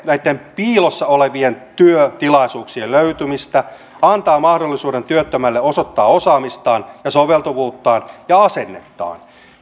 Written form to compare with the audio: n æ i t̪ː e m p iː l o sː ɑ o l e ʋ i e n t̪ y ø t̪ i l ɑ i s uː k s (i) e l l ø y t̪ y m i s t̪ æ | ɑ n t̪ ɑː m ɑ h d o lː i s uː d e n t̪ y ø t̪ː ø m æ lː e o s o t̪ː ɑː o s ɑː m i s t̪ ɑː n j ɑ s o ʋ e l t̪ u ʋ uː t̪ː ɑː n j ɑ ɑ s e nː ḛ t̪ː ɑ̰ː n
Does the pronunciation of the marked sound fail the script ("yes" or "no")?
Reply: no